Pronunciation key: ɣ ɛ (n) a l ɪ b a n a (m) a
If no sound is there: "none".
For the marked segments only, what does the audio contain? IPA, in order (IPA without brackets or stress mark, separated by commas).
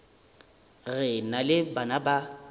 n, b